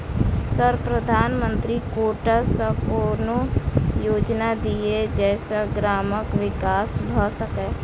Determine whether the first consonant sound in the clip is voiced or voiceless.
voiceless